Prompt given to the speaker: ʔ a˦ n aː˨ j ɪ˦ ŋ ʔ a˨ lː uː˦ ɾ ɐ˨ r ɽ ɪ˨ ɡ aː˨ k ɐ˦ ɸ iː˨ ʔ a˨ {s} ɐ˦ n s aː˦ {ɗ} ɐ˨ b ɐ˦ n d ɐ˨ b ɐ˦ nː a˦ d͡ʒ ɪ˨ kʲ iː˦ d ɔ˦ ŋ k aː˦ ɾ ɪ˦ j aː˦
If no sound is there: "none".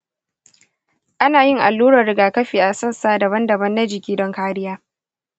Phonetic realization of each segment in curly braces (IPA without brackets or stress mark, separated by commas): s, d